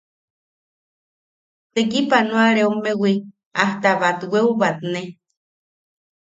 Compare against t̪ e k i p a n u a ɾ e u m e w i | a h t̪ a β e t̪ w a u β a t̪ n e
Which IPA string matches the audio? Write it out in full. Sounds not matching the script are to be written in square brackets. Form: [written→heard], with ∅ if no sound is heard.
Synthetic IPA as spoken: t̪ e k i p a n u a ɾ e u m e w i | a h t̪ a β [e→a] t̪ w [a→e] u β a t̪ n e